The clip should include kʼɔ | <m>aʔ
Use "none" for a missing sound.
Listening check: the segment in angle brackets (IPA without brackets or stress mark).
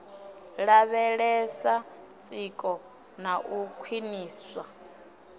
n